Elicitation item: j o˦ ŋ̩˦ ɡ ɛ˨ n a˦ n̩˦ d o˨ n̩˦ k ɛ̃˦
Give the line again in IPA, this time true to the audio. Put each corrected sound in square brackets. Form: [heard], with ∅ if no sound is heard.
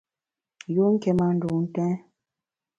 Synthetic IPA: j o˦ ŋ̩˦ [k] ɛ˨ [m] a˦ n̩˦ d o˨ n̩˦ [t] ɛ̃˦